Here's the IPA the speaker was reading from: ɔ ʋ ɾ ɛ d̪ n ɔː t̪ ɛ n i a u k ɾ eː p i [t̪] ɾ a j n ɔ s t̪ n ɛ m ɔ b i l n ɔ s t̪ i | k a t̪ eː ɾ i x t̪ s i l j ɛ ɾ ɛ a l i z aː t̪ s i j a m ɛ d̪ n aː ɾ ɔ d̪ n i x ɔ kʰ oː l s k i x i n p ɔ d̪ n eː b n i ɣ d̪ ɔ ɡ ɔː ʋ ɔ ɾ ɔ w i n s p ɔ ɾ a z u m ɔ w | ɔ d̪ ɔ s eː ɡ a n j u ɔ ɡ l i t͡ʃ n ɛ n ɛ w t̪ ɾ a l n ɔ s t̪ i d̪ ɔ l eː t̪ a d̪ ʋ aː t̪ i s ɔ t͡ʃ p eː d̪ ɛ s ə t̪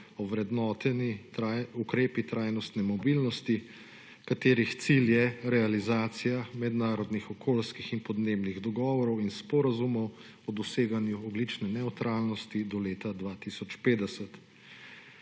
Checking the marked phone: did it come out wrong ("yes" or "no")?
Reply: no